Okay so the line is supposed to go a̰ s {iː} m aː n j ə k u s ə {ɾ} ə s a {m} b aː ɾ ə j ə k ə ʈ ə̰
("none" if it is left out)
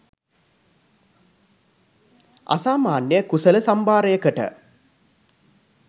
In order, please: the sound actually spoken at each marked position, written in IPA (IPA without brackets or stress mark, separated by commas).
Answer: aː, l, m